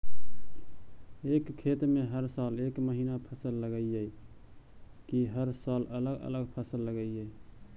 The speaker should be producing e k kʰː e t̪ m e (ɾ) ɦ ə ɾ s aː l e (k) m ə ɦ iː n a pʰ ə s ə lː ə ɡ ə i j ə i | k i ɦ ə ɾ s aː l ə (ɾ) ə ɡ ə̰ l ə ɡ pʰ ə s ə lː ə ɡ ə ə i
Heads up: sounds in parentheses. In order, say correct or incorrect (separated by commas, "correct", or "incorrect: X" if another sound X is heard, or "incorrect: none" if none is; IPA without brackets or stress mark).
incorrect: none, correct, incorrect: l